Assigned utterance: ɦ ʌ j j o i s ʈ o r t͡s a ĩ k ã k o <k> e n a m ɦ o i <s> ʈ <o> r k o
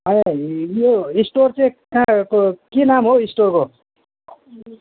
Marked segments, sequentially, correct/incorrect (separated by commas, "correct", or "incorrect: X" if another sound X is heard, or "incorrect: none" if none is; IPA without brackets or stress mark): correct, correct, correct